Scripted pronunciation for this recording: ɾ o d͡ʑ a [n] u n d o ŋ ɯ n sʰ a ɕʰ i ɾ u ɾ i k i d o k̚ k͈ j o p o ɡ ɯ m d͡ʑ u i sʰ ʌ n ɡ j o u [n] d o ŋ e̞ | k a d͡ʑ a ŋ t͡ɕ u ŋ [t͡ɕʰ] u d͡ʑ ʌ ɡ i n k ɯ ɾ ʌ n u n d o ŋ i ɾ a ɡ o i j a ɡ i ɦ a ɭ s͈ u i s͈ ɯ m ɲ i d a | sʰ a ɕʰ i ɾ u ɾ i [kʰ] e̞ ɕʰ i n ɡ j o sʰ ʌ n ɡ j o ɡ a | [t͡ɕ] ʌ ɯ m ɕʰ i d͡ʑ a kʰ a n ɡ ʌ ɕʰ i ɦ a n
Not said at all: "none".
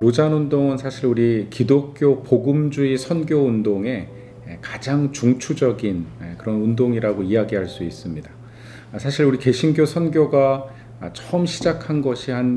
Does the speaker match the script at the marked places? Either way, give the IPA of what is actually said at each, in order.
n, n, t͡ɕʰ, k, t͡ɕʰ

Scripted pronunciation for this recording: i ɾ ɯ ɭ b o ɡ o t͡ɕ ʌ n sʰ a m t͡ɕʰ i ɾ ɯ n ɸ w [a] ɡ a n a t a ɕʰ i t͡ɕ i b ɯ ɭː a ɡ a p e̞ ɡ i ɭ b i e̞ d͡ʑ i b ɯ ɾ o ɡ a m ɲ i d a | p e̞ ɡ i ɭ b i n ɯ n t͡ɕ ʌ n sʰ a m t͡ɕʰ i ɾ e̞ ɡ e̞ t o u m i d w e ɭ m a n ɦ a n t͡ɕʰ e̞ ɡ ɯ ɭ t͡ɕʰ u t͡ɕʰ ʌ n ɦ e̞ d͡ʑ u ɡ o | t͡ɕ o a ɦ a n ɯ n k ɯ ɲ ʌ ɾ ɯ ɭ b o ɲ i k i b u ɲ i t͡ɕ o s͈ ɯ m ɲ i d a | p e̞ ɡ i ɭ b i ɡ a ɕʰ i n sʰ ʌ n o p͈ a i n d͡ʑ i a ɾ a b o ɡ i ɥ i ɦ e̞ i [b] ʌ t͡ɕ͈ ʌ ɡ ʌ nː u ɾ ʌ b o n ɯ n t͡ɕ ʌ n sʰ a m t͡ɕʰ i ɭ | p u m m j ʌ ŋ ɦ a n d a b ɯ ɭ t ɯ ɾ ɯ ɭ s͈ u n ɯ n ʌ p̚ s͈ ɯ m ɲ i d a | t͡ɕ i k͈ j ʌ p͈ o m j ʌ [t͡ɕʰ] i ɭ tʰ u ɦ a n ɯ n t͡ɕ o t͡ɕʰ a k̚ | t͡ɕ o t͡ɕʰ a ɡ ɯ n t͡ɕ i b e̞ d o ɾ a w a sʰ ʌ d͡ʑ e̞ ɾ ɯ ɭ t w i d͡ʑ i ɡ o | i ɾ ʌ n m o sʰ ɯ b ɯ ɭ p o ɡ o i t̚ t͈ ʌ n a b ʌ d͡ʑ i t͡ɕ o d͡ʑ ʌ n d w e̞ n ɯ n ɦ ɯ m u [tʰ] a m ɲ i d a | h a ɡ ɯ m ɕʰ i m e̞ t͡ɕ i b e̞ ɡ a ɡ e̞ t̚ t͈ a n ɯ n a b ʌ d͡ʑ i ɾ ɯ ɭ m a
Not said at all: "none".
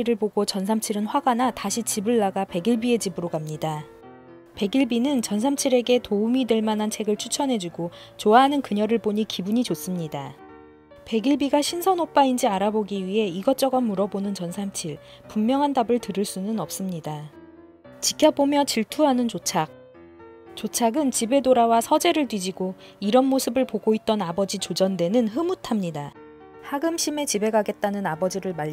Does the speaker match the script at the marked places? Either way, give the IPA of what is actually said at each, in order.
a, ɡ, t͡ɕ, tʰ

